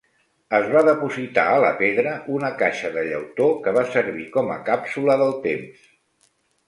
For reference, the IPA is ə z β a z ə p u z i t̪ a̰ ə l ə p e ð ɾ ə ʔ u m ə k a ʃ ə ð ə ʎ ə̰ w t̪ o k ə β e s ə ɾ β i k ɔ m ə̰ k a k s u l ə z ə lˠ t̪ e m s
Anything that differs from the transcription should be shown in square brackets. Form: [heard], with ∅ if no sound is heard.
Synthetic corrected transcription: ə z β a [ð] ə p u z i t̪ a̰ ə l ə p e ð ɾ ə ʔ u [n] ə k a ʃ ə ð ə ʎ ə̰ w t̪ o k ə β [a] s ə ɾ β i k ɔ m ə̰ k a [p] s u l ə [ð] ə lˠ t̪ e m s